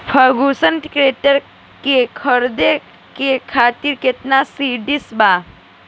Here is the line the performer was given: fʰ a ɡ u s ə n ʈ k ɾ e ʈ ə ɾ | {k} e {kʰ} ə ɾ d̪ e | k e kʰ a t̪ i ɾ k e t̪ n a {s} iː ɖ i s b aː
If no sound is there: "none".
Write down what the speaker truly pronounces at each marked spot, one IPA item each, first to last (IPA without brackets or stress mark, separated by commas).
k, kʰ, s